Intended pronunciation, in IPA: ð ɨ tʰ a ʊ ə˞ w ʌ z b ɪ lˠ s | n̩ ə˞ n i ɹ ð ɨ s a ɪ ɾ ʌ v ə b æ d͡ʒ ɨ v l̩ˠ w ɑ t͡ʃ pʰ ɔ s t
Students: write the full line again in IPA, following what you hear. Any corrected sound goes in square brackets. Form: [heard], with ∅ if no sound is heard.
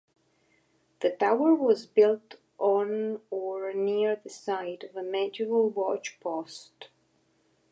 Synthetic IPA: ð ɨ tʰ a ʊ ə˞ w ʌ z b ɪ lˠ [t] | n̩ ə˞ n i ɹ ð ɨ s a ɪ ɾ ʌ v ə [m] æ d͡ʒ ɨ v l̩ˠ w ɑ t͡ʃ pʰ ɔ s t